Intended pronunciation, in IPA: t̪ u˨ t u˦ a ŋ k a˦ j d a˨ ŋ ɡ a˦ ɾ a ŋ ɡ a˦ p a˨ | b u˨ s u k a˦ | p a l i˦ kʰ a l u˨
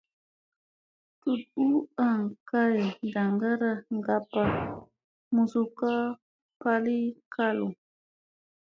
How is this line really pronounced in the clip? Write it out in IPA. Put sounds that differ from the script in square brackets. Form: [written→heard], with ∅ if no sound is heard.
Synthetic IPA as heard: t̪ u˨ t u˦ a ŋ k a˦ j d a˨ ŋ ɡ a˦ ɾ a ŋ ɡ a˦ p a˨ | [b→m] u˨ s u k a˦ | p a l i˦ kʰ a l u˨